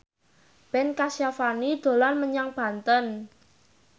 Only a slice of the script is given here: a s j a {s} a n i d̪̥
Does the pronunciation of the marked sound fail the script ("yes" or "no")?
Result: yes